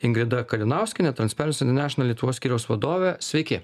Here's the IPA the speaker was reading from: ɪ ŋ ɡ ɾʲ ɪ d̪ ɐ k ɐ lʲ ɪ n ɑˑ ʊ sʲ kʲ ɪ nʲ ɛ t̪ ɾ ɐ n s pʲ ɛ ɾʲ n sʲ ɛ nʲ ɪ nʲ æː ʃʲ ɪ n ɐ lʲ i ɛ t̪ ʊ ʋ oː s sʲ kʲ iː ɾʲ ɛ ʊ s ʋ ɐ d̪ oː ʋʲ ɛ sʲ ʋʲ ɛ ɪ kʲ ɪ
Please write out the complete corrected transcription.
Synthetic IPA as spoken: ɪ ŋ ɡ ɾʲ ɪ d̪ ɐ k ɐ lʲ ɪ n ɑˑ ʊ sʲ kʲ ɪ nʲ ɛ t̪ ɾ ɐ n s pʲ ɛ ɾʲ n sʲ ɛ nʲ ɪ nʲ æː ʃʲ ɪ n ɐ lʲ i ɛ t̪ ʊ ʋ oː s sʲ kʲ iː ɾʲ ɛ ʊ s ʋ ɐ d̪ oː ʋʲ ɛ sʲ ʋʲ ɛ ɪ kʲ ɪ